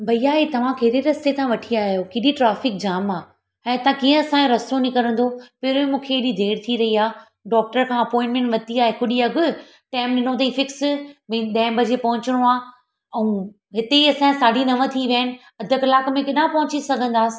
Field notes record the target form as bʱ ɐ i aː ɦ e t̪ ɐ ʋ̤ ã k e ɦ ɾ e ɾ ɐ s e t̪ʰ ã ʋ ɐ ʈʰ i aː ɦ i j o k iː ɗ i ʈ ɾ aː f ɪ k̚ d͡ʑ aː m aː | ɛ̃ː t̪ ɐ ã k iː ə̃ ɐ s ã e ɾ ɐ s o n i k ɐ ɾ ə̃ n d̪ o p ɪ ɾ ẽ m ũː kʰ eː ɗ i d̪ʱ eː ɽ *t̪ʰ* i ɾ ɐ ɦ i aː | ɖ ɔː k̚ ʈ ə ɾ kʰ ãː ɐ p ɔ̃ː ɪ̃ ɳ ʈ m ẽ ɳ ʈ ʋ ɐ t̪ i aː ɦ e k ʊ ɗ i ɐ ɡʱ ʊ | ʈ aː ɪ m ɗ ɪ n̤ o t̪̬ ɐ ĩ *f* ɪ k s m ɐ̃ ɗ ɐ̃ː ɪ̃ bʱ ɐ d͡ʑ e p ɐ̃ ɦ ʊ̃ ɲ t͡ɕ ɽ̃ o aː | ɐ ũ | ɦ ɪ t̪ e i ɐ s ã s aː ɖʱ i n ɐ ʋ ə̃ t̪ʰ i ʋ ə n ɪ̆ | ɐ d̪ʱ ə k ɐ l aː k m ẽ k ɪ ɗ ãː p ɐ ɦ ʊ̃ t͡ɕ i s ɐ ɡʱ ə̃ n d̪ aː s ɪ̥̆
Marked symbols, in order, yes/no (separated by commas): yes, yes